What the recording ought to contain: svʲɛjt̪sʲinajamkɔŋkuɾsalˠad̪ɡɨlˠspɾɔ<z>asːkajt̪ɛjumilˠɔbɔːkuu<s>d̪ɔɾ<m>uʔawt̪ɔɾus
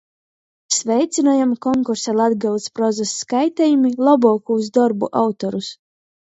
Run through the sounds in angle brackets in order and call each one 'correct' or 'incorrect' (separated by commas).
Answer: correct, incorrect, incorrect